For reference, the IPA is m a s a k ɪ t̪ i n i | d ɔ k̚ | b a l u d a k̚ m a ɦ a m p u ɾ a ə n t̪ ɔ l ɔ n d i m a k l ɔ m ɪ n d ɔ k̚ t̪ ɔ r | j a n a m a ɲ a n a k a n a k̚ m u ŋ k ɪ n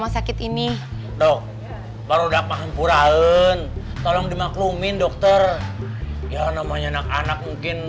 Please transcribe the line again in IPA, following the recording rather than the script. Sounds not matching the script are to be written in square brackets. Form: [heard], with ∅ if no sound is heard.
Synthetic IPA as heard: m a s a k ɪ t̪ i n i | d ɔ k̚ | b a [ɾ] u d a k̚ m a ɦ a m p u ɾ a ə n t̪ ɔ l ɔ [ŋ] d i m a k l [u] m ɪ n d ɔ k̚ t̪ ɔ r | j a n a m a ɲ a n a k a n a k̚ m u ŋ k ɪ n